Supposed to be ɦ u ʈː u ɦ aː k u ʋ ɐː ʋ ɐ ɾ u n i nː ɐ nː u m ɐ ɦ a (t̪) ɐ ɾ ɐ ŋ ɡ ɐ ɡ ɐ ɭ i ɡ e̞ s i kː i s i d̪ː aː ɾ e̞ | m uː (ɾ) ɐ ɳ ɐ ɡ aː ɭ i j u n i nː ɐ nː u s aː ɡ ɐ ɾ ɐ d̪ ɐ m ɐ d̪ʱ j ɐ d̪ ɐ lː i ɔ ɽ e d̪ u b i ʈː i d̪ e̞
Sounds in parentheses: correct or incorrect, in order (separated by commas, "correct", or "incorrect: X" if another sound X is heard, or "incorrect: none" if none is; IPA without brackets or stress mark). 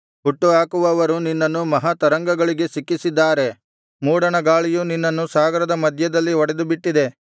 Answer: correct, incorrect: ɽ